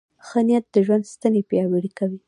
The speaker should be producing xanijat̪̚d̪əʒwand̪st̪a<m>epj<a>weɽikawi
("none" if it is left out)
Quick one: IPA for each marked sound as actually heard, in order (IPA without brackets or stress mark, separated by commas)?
n, ɑ